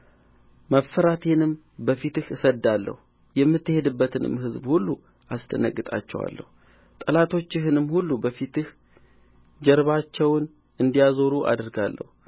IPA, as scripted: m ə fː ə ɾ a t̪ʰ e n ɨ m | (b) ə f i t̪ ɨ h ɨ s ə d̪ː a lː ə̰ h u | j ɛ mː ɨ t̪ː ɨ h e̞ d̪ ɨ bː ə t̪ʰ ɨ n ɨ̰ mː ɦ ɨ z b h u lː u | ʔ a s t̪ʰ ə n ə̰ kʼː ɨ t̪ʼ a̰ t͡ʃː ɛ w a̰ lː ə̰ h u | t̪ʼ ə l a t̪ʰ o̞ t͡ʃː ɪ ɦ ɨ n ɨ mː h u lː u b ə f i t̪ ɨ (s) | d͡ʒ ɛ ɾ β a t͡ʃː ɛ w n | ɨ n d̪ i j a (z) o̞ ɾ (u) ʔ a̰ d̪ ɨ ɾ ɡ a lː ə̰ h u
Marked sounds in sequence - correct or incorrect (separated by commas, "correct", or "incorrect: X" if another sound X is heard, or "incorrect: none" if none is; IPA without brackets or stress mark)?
correct, incorrect: h, correct, correct